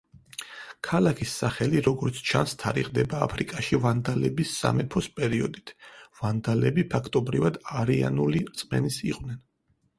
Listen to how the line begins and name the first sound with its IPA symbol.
kʰ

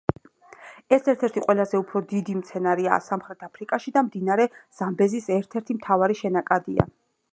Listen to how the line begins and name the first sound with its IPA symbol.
ɛ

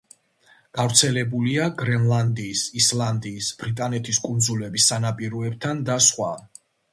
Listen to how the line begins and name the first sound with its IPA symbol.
ɡ̥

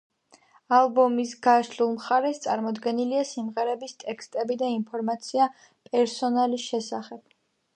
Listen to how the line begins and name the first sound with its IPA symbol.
a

